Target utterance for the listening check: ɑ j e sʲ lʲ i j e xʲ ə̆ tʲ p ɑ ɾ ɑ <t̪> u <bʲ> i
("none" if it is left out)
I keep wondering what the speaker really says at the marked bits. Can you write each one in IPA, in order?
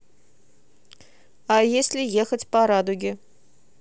d̪, ɡʲ

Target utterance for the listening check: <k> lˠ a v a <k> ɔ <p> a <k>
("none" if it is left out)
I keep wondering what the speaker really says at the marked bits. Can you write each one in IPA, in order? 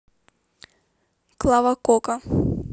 k, k, k, none

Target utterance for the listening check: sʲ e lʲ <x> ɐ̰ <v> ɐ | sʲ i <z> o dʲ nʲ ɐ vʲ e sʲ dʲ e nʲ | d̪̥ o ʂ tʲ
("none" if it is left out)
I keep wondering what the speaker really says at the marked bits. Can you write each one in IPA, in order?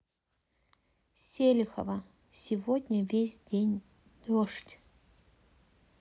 x, v, v

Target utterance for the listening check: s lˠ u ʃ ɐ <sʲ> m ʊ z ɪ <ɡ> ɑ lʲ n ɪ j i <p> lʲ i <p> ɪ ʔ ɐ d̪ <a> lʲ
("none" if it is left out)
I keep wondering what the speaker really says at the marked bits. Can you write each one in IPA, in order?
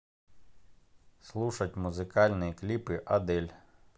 tʲ, k, k, p, ɛ

